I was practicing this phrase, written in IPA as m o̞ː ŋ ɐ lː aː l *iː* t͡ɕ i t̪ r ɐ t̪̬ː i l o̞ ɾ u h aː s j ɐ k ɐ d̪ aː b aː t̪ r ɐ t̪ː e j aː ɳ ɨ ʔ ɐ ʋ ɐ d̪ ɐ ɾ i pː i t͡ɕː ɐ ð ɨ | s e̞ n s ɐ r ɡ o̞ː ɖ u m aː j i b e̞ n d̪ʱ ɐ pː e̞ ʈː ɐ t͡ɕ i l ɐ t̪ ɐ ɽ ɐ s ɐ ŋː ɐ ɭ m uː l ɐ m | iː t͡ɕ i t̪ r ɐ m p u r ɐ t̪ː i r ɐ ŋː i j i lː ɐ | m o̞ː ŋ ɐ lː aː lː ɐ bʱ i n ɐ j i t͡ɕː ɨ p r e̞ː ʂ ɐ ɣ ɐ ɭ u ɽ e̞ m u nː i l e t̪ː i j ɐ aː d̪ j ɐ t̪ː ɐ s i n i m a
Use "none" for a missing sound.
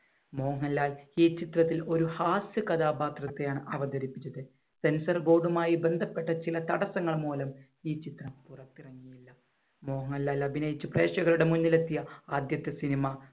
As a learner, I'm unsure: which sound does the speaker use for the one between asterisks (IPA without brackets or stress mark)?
iː